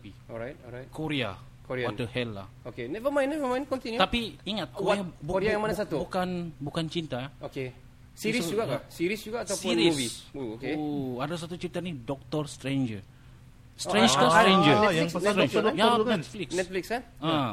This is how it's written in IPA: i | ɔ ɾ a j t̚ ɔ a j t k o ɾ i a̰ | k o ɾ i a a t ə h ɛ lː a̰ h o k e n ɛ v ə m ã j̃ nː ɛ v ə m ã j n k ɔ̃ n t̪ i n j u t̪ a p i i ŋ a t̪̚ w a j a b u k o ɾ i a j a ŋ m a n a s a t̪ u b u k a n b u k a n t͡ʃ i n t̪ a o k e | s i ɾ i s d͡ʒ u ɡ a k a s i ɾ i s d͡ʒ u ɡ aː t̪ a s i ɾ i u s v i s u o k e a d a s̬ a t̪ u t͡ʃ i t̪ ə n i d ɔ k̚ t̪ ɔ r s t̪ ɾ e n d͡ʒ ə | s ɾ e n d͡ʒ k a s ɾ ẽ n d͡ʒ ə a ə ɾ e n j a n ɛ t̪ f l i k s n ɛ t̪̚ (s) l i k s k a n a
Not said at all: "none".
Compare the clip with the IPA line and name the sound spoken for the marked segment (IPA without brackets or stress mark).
f